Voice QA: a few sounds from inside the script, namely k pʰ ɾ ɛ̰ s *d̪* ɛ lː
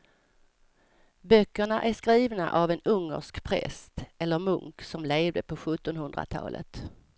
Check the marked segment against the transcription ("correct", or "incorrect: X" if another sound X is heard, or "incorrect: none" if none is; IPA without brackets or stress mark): incorrect: t̪